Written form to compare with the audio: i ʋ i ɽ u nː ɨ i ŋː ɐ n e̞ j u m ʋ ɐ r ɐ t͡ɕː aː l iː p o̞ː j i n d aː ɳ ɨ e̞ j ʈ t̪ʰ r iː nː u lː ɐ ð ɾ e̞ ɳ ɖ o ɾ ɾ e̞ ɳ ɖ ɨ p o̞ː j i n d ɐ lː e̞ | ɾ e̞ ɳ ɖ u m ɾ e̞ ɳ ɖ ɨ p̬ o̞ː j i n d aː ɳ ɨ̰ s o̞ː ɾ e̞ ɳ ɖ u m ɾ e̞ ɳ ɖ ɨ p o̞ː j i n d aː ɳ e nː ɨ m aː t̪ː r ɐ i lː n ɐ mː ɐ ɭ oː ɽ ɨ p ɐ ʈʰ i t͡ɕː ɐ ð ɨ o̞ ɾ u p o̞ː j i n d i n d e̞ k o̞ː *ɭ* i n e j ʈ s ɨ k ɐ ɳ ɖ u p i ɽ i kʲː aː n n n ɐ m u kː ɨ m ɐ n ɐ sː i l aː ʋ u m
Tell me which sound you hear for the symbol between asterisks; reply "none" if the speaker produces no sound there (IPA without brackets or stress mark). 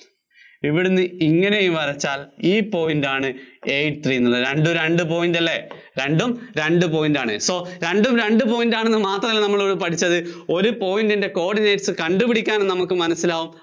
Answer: ɽ